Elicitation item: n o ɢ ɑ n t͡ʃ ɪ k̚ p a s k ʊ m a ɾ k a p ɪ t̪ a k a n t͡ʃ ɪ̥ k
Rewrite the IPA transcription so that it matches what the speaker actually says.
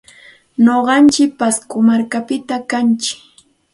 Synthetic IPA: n o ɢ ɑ n t͡ʃ ɪ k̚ p a s k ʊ m a ɾ k a p ɪ t̪ a k a n t͡ʃ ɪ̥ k